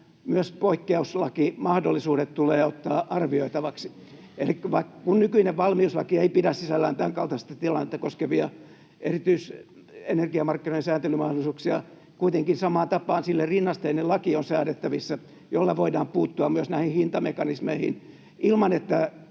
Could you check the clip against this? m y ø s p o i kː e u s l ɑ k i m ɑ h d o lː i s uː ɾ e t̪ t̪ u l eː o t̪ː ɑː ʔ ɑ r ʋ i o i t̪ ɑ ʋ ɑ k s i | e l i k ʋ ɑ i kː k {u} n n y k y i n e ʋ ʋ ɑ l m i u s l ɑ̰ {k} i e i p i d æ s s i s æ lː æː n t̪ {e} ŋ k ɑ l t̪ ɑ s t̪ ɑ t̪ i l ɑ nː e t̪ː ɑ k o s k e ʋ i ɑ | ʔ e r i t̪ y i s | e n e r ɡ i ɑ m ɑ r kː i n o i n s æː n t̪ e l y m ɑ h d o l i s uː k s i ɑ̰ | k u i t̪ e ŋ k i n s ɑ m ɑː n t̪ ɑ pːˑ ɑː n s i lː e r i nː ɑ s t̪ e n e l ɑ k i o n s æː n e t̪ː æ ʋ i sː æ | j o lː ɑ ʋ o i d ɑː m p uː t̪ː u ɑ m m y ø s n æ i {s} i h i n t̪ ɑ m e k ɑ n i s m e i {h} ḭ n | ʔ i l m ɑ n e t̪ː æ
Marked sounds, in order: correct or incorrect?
correct, correct, incorrect: æ, incorrect: h, correct

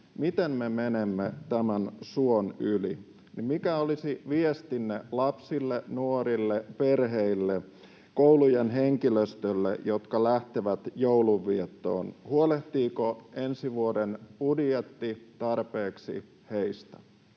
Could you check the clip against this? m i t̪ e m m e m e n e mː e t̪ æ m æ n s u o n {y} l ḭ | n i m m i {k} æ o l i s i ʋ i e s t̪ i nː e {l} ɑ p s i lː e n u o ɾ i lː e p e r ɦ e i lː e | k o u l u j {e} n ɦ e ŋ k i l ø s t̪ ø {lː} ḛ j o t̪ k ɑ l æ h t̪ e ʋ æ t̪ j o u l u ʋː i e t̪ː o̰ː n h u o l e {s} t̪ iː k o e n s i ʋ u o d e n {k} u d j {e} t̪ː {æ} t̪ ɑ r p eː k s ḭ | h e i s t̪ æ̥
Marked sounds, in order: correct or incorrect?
correct, correct, correct, correct, correct, incorrect: h, incorrect: p, correct, incorrect: i

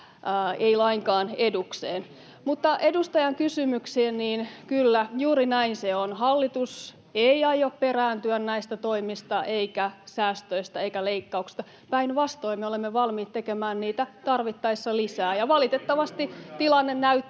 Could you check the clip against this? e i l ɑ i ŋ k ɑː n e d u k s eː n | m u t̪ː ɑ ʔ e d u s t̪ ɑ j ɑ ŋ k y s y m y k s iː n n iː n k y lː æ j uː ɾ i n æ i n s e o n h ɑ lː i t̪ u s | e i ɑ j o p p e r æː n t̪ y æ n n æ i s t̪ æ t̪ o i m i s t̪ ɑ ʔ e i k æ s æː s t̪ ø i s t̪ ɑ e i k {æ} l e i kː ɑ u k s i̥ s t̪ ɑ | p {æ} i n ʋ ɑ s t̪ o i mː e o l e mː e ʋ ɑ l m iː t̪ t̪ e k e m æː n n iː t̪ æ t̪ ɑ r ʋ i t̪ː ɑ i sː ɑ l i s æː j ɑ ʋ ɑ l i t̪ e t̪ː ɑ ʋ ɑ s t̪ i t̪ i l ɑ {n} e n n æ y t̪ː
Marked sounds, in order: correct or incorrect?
correct, correct, incorrect: nː

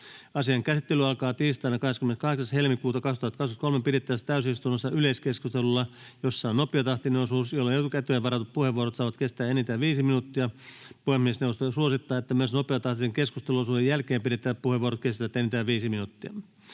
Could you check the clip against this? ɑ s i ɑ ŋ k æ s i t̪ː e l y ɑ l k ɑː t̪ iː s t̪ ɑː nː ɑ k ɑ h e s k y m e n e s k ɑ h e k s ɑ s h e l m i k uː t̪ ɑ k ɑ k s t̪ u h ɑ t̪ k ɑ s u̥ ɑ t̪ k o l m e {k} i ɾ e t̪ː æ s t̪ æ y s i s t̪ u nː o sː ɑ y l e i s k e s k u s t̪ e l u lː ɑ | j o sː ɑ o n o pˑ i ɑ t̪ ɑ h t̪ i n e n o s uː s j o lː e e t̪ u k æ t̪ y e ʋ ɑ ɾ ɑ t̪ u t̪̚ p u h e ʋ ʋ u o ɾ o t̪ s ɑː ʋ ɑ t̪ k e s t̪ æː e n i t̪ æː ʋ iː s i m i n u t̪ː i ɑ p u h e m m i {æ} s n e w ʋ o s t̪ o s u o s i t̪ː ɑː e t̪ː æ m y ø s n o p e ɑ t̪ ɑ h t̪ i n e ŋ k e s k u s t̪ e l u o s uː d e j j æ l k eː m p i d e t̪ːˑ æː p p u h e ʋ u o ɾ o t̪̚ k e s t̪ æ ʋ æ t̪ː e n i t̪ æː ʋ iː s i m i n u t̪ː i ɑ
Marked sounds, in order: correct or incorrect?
incorrect: p, incorrect: e

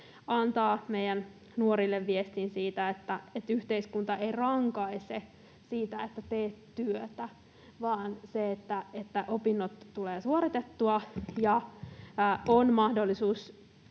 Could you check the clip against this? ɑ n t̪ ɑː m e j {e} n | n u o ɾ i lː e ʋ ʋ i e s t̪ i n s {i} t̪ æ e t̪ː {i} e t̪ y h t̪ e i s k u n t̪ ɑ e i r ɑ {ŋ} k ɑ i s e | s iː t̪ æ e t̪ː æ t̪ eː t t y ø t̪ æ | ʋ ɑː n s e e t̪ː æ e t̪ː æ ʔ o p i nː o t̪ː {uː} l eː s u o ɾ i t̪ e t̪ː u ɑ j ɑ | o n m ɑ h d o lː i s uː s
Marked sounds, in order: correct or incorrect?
incorrect: æ, incorrect: iː, incorrect: æ, correct, incorrect: u

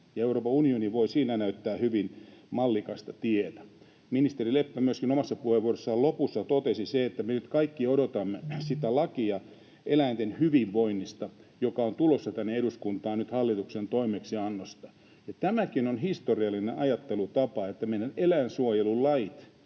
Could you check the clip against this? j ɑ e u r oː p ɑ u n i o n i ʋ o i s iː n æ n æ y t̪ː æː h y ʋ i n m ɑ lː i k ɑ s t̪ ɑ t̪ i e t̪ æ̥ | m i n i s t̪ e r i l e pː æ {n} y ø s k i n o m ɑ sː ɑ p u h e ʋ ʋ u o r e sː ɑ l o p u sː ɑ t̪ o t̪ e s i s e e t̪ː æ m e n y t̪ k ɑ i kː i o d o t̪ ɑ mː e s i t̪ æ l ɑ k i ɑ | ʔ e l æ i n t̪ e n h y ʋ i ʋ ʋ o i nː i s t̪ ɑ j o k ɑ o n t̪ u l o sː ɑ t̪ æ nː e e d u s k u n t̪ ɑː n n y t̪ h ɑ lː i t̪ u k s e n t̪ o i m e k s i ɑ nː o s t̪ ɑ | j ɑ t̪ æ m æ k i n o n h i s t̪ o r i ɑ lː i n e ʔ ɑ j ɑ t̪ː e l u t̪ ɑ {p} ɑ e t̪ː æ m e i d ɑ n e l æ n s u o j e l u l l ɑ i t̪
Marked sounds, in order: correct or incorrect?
incorrect: m, correct

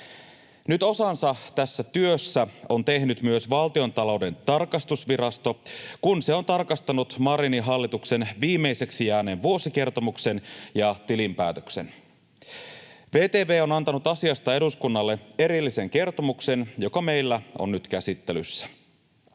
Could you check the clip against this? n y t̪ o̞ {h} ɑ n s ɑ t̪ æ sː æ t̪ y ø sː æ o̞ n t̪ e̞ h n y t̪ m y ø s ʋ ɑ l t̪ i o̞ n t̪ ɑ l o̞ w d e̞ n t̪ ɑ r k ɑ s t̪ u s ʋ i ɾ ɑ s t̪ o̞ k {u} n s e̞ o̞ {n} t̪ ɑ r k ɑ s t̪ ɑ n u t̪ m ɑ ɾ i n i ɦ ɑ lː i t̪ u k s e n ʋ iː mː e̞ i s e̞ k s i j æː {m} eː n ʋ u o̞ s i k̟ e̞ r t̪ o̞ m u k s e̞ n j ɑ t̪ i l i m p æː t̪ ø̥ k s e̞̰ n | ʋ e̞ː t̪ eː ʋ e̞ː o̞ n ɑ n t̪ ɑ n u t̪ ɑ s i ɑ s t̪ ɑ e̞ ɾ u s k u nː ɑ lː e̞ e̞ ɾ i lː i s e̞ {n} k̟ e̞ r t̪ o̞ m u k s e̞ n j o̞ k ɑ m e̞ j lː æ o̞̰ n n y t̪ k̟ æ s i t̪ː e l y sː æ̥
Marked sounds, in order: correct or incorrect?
incorrect: s, correct, correct, incorrect: n, incorrect: ŋ

